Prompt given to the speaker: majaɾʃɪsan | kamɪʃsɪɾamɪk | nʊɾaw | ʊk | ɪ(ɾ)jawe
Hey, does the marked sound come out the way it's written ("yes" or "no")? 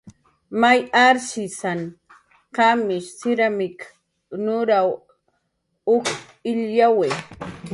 no